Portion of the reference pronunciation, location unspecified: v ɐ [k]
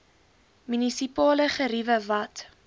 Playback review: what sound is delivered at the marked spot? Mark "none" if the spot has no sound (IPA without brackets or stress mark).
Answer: t